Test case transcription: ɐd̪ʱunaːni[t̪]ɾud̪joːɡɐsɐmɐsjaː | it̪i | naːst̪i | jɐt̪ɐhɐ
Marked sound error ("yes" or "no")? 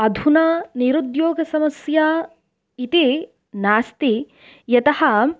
yes